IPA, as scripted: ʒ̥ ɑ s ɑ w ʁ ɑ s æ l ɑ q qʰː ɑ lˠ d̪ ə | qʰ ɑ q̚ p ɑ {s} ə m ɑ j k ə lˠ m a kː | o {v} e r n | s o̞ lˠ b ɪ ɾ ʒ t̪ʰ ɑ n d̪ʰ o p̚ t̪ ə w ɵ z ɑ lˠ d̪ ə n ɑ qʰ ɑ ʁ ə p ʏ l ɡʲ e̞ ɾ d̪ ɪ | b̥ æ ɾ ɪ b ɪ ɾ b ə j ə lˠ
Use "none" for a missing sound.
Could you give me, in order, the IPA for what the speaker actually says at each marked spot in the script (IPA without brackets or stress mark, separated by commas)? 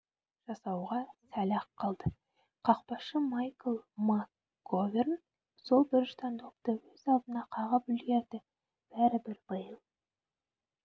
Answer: ʃ, v